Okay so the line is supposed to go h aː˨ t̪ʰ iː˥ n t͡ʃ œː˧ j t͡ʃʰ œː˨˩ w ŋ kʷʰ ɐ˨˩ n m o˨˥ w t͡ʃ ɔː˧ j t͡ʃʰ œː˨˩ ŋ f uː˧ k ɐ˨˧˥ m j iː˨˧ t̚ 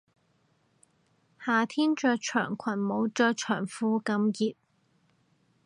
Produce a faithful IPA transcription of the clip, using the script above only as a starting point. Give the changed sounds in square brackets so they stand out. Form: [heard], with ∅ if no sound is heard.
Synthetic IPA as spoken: h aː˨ t̪ʰ iː˥ n t͡ʃ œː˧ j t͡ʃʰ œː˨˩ [∅] ŋ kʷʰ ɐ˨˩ n m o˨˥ w t͡ʃ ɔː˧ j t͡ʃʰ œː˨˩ ŋ f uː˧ k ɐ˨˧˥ m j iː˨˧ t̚